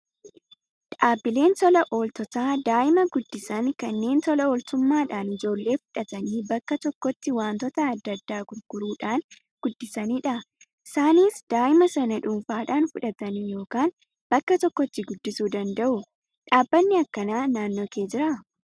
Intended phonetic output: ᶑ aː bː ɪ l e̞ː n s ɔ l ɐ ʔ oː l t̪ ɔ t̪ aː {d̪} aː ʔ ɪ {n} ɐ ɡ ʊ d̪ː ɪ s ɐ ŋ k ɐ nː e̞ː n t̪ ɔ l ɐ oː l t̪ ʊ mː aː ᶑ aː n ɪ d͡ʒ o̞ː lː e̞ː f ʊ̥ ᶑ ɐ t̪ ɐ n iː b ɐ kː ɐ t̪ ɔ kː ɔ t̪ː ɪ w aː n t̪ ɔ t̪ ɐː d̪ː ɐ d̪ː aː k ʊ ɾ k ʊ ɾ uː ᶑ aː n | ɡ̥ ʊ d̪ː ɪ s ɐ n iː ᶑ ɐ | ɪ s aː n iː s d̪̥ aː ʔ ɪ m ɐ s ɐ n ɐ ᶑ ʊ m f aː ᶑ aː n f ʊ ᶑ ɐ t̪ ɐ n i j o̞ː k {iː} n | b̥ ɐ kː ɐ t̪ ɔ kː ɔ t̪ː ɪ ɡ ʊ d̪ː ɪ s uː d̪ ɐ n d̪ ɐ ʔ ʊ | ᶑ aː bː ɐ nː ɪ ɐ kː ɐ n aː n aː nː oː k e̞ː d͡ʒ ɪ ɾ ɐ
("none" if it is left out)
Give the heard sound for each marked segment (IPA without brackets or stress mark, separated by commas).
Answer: d̪, m, aː